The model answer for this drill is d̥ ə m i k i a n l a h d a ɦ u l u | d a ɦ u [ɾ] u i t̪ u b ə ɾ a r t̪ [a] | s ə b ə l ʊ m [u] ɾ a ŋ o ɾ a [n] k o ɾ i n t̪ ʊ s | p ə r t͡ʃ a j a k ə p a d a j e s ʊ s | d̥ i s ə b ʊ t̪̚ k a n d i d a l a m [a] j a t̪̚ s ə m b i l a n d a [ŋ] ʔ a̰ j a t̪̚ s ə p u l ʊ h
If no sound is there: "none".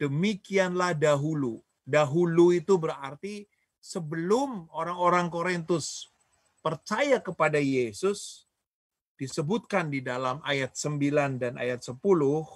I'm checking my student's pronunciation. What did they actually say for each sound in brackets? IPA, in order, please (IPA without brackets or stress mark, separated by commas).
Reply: l, i, o, ŋ, a, n